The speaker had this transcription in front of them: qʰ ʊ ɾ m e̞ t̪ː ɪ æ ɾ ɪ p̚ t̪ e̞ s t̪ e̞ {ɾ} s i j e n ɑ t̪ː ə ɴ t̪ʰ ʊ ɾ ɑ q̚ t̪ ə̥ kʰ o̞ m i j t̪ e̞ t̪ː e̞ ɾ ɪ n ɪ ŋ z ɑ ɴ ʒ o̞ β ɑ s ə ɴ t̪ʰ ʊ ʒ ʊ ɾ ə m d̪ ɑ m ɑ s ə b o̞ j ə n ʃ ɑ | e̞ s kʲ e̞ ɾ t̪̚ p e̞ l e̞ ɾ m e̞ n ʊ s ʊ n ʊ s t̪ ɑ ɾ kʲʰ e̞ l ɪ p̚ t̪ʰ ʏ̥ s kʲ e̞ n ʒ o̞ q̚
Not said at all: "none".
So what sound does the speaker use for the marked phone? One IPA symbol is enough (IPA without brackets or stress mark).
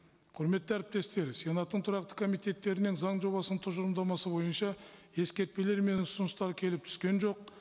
ɾ